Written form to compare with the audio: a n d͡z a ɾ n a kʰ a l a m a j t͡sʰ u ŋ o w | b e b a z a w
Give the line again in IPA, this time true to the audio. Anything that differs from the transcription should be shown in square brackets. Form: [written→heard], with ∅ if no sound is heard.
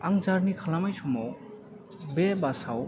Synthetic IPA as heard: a [n→ŋ] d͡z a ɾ n [a→i] kʰ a l a m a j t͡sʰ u [ŋ→m] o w | b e b a [z→s] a w